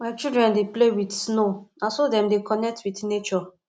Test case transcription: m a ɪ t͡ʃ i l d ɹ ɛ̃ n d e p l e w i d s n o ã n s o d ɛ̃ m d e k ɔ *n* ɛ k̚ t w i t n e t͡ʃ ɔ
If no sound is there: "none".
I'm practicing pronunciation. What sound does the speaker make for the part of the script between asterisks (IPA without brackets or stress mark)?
n